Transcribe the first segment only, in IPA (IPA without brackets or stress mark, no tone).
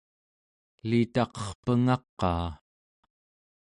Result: l